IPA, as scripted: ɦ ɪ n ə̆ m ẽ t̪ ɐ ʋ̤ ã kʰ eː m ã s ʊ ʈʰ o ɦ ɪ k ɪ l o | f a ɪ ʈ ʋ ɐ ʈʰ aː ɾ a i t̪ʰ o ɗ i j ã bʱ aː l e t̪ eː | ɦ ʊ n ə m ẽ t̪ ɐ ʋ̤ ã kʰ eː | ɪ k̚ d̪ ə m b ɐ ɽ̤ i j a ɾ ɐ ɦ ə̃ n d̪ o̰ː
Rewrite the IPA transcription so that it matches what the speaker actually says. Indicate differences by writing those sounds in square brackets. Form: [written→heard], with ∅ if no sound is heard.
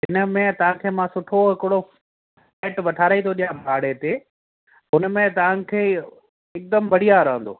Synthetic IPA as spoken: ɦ ɪ n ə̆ m ẽ t̪ ɐ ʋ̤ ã kʰ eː m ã s ʊ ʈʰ o ɦ ɪ k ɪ [l→ɽ] o | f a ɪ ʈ ʋ ɐ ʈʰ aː ɾ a i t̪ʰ o ɗ i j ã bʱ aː [l→ɽ] e t̪ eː | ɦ ʊ n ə m ẽ t̪ ɐ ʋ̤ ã kʰ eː | ɪ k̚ d̪ ə m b ɐ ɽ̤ i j a ɾ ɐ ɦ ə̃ n d̪ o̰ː